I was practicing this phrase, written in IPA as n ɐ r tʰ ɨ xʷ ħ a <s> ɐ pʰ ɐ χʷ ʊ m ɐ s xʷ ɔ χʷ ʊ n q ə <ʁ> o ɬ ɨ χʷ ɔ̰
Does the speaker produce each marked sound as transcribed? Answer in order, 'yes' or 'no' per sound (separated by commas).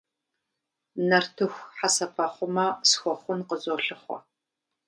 yes, no